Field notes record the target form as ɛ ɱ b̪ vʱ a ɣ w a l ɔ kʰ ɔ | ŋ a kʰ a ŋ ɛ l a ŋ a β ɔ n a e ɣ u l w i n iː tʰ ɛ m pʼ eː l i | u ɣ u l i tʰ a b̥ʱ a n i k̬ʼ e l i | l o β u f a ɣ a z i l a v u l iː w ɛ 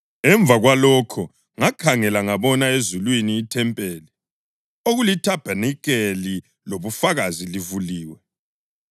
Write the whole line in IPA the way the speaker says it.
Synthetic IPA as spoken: ɛ ɱ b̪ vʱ a ɣ w a l ɔ kʰ ɔ | ŋ a kʰ a ŋ ɛ l a ŋ a β ɔ n a e z u l w i n iː tʰ ɛ m pʼ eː l i | o ɣ u l i tʰ a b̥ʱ a n i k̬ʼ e l i | l o β u f a ɣ a z i l i v u l iː w ɛ